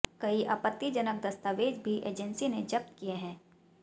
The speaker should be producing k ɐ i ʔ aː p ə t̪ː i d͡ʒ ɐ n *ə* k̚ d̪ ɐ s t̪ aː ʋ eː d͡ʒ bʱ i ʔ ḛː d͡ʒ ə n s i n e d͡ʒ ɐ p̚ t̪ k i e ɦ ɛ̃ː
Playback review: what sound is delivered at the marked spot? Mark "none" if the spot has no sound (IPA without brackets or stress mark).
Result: ə